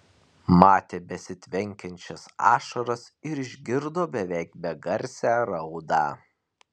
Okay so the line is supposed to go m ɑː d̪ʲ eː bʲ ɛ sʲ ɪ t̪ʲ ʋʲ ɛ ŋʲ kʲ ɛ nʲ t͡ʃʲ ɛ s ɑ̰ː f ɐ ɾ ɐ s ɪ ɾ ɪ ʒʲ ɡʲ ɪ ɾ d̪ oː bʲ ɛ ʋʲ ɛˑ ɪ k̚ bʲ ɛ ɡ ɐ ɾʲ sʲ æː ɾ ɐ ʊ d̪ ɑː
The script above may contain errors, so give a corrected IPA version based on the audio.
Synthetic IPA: m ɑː t̪ʲ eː bʲ ɛ sʲ ɪ t̪ʲ ʋʲ ɛ ŋʲ kʲ ɛ nʲ t͡ʃʲ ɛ s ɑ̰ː ʃ ɐ ɾ ɐ s ɪ ɾ ɪ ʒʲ ɡʲ ɪ ɾ d̪ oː bʲ ɛ ʋʲ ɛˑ ɪ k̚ bʲ ɛ ɡ ɐ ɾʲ sʲ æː ɾ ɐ ʊ d̪ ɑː